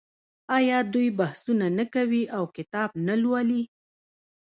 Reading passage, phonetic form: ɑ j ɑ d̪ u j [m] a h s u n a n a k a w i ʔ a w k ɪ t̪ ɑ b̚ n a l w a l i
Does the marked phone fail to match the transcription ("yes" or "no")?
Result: yes